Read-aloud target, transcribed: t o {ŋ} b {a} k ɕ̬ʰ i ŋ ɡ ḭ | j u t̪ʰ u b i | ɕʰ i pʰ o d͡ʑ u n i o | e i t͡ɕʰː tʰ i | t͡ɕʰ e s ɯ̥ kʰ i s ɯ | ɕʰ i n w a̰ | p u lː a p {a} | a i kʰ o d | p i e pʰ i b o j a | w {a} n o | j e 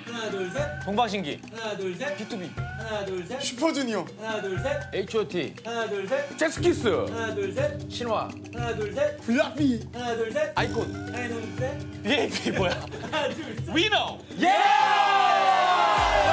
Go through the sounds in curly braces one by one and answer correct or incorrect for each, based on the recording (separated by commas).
correct, correct, incorrect, incorrect